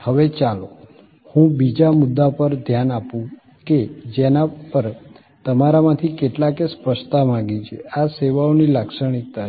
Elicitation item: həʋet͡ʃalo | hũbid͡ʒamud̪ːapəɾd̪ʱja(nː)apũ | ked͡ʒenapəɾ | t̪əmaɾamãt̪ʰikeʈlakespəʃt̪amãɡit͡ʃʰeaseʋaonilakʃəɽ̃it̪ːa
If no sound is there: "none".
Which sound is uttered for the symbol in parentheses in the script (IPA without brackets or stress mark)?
n